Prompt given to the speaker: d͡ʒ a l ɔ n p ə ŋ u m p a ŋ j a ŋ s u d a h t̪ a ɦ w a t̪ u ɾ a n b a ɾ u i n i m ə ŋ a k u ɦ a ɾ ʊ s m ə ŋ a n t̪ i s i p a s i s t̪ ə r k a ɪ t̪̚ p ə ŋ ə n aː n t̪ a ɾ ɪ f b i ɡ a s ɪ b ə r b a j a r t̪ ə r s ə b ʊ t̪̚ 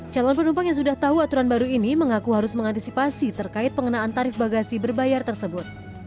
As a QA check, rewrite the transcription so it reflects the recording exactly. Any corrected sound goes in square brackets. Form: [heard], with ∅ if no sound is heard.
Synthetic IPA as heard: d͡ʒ a l ɔ n p ə [n] u m p a ŋ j a ŋ s u d a h t̪ a ɦ [u] a t̪ u ɾ a n b a ɾ u i n i m ə ŋ a k u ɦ a ɾ ʊ s m ə ŋ a n t̪ i s i p a s i [∅] t̪ ə r k a ɪ t̪̚ p ə ŋ ə n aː n t̪ a ɾ ɪ f b [a] ɡ a s [i] b ə r b a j a r t̪ ə r s ə b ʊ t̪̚